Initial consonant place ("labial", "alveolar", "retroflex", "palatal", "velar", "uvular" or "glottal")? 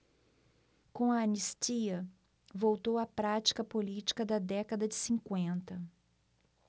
velar